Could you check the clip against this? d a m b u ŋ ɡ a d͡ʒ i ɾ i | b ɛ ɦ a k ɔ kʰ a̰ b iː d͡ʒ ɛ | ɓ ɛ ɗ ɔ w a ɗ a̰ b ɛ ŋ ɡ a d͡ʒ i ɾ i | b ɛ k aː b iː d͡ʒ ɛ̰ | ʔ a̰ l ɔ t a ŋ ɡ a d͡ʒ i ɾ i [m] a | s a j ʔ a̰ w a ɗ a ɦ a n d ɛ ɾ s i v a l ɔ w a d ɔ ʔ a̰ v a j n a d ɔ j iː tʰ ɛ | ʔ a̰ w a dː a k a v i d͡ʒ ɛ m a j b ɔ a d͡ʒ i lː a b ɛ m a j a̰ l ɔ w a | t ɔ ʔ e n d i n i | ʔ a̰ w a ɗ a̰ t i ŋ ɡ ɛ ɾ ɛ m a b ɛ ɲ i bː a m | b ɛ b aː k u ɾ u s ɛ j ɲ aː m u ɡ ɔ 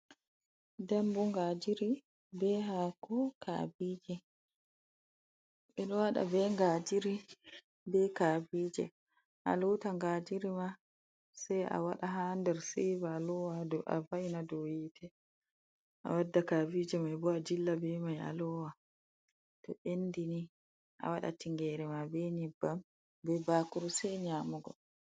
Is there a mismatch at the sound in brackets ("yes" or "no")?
no